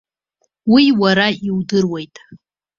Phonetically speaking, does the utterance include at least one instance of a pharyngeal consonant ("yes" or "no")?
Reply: no